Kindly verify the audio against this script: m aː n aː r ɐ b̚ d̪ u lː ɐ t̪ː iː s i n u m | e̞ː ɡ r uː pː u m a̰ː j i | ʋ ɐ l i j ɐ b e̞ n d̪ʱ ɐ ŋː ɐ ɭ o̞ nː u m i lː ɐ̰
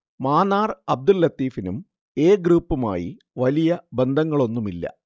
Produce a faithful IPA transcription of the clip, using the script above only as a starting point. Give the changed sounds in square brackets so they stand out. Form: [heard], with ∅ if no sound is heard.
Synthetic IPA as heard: m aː n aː r ɐ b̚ d̪ u lː ɐ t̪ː iː [f] i n u m | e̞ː ɡ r uː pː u m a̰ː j i | ʋ ɐ l i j ɐ b e̞ n d̪ʱ ɐ ŋː ɐ ɭ o̞ nː u m i lː ɐ̰

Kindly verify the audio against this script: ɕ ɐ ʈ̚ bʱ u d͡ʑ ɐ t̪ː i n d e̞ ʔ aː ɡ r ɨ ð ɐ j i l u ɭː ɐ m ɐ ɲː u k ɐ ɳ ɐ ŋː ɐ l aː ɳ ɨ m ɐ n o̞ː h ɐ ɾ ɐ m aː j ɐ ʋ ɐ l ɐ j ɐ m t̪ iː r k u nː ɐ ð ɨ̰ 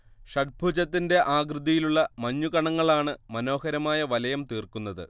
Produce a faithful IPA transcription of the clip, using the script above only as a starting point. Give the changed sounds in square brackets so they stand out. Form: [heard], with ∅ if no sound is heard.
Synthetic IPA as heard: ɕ ɐ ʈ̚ bʱ u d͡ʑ ɐ t̪ː i n d e̞ ʔ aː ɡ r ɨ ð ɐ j i l u ɭː ɐ m ɐ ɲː u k ɐ ɳ ɐ ŋː ɐ [ɭ] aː ɳ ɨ m ɐ n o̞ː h ɐ ɾ ɐ m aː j ɐ ʋ ɐ l ɐ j ɐ m t̪ iː r k u nː ɐ ð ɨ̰

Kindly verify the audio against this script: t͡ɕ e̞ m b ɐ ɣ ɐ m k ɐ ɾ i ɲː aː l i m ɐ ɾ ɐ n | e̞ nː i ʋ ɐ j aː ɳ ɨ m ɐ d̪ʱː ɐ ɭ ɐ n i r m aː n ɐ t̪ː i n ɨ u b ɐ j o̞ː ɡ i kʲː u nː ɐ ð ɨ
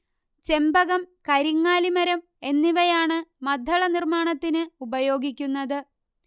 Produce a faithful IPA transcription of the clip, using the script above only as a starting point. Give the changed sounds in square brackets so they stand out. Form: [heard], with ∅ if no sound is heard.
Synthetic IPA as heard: t͡ɕ e̞ m b ɐ ɣ ɐ m k ɐ ɾ i [ŋː] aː l i m ɐ ɾ ɐ [m] | e̞ nː i ʋ ɐ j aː ɳ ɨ m ɐ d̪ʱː ɐ ɭ ɐ n i r m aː [ɳ] ɐ t̪ː i n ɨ u b ɐ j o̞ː ɡ i kʲː u nː ɐ ð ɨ

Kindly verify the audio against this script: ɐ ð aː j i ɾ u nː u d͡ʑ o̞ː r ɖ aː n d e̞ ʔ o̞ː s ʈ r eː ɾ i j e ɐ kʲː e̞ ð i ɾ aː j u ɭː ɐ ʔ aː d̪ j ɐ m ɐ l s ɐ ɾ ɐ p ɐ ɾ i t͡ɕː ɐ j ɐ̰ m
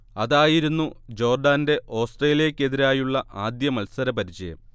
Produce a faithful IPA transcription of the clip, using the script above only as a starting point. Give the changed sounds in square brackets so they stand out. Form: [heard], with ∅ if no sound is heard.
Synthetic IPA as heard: ɐ ð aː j i ɾ u nː u d͡ʑ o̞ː r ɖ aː n d e̞ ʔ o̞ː s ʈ r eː [l] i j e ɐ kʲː e̞ ð i ɾ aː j u ɭː ɐ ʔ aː d̪ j ɐ m ɐ l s ɐ ɾ ɐ p ɐ ɾ i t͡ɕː ɐ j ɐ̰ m

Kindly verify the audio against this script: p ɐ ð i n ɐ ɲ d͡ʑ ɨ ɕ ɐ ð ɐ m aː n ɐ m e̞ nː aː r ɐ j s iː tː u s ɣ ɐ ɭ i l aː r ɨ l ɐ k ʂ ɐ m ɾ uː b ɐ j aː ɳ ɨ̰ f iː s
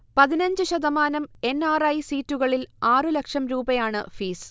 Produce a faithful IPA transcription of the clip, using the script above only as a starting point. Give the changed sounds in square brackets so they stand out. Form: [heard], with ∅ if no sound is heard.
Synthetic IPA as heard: p ɐ ð i n ɐ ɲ d͡ʑ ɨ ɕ ɐ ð ɐ m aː n ɐ m e̞ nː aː r ɐ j s iː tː u [∅] ɣ ɐ ɭ i l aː r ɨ l ɐ k ʂ ɐ m ɾ uː b ɐ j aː ɳ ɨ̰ f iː s

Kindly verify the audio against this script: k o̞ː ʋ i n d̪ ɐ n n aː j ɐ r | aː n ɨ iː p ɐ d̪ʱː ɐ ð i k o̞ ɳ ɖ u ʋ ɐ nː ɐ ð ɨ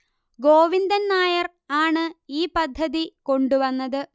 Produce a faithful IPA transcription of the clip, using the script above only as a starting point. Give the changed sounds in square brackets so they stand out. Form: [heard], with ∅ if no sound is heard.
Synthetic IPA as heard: [ɡ] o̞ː ʋ i n d̪ ɐ n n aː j ɐ r | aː [ɳ] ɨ iː p ɐ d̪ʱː ɐ ð i k o̞ ɳ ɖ u ʋ ɐ nː ɐ ð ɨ

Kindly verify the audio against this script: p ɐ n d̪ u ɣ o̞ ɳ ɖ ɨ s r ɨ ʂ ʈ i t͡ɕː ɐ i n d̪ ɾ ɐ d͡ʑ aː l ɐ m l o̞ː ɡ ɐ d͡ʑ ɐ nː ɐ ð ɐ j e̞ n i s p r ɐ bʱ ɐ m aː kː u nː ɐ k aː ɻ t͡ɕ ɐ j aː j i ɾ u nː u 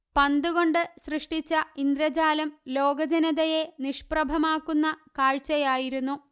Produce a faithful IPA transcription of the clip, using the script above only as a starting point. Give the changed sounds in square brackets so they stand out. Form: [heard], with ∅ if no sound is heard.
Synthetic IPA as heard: p ɐ n d̪ u ɣ o̞ ɳ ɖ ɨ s r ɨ ʂ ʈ i t͡ɕː ɐ i n d̪ ɾ ɐ d͡ʑ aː l ɐ m l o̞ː ɡ ɐ d͡ʑ ɐ [n] ɐ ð ɐ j e̞ n i [ʂ] p r ɐ bʱ ɐ m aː kː u nː ɐ k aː ɻ t͡ɕ ɐ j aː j i ɾ u nː u

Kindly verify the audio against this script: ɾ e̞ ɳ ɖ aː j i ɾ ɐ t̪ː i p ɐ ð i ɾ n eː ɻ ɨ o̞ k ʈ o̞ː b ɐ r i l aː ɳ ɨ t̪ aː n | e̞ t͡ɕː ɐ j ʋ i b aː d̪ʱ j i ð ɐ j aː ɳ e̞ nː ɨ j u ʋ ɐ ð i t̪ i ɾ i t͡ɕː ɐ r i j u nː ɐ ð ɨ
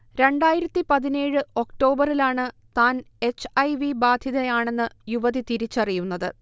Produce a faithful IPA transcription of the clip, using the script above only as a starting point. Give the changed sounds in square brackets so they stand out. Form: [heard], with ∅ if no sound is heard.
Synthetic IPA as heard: ɾ e̞ ɳ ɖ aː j i ɾ ɐ t̪ː i p ɐ ð i [∅] n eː ɻ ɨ o̞ k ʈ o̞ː b ɐ r i l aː ɳ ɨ t̪ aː n | e̞ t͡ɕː ɐ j ʋ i b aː d̪ʱ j i ð ɐ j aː ɳ e̞ nː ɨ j u ʋ ɐ ð i t̪ i ɾ i t͡ɕː ɐ r i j u nː ɐ ð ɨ

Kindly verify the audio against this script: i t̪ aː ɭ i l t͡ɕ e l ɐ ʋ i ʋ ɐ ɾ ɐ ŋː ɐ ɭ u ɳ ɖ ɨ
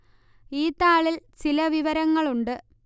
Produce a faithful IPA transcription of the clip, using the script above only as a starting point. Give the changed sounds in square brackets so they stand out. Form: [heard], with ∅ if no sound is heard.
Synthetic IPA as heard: [iː] t̪ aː ɭ i l t͡ɕ [i] l ɐ ʋ i ʋ ɐ ɾ ɐ ŋː ɐ ɭ u ɳ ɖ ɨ

